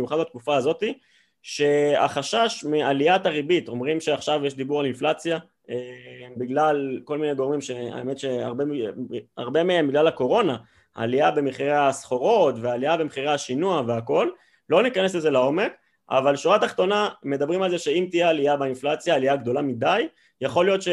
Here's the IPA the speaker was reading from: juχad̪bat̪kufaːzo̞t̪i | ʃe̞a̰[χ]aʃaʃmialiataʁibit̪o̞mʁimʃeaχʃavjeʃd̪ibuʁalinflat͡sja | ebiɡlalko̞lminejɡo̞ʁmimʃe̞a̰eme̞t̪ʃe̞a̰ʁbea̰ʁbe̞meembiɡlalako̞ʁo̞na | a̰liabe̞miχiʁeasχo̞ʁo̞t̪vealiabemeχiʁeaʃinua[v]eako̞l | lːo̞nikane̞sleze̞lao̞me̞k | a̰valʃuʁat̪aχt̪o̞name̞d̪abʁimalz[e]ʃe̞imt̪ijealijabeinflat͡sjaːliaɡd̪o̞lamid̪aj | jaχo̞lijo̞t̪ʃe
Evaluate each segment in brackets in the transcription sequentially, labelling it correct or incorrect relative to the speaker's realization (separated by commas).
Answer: correct, correct, correct